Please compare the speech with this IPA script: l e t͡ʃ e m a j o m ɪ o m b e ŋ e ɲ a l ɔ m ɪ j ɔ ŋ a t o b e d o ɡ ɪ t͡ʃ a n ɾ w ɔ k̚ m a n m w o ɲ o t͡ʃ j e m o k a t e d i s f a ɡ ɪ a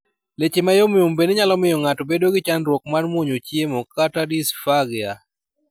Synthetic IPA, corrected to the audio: l e t͡ʃ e m a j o m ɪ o m b e n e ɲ a l ɔ m ɪ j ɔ ŋ a t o b e d o ɡ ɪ t͡ʃ a n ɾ w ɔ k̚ m a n m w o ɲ o t͡ʃ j e m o k a t a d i s f a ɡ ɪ a